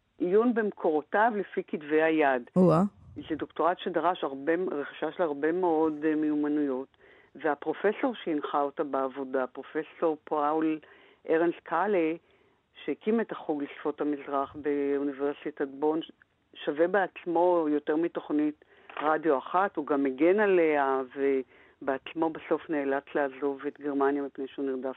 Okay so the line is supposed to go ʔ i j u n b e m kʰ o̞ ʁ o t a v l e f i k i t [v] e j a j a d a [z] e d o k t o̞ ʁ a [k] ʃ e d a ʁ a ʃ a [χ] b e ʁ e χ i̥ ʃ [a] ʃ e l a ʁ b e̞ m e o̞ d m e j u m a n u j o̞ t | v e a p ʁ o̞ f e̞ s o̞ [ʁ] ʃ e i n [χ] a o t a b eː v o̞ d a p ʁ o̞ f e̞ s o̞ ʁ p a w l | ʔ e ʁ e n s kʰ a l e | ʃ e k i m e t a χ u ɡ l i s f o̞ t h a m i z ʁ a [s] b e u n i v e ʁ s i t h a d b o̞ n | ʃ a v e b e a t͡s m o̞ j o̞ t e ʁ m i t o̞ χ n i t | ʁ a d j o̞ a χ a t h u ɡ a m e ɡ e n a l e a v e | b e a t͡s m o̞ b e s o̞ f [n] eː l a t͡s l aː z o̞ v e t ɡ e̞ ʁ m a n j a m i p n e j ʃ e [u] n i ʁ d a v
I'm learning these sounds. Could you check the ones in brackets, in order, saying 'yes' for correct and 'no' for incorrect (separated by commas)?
yes, yes, no, no, yes, yes, yes, no, yes, yes